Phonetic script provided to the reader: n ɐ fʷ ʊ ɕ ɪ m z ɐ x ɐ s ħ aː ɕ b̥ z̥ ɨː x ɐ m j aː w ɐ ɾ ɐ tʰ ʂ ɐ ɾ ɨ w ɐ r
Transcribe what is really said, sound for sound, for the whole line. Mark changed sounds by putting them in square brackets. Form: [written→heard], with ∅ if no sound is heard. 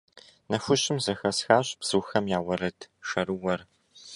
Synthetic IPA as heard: n ɐ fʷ ʊ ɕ ɪ m z ɐ x ɐ s [ħ→x] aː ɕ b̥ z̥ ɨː x ɐ m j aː w ɐ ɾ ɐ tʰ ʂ ɐ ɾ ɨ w ɐ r